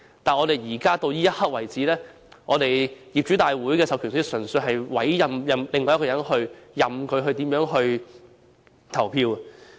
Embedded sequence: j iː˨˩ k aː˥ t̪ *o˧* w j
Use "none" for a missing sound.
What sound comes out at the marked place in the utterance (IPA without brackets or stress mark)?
o˧